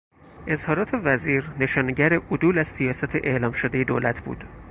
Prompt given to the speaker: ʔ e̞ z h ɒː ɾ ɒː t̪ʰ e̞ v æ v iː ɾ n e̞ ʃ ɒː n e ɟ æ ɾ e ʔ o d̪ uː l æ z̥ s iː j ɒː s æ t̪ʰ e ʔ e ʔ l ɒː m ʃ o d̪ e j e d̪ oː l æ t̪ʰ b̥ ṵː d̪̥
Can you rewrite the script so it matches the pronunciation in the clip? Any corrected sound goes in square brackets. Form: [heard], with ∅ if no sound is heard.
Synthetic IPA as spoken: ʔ e̞ z h ɒː ɾ ɒː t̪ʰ e̞ v æ [z] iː ɾ n e̞ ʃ ɒː n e ɟ æ ɾ e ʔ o d̪ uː l æ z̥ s [i] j ɒː s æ t̪ʰ e ʔ e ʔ l ɒː m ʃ o d̪ e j e d̪ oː l æ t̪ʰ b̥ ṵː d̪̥